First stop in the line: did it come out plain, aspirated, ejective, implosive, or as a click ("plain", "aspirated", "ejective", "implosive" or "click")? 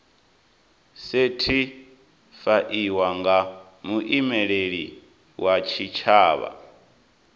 aspirated